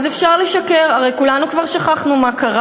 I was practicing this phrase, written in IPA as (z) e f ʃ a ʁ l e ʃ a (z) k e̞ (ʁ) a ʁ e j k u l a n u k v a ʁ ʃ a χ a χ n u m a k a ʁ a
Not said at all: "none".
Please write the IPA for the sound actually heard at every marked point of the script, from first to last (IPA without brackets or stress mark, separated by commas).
z, none, ʁ